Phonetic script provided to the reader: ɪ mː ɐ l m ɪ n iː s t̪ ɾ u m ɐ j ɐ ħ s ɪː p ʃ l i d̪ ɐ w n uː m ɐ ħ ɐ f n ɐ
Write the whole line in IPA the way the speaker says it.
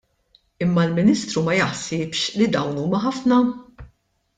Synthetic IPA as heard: ɪ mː ɐ l m ɪ n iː s t̪ ɾ u m ɐ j ɐ ħ s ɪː p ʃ l i d̪ ɐ w n uː m ɐ ħ ɐ f n ɐ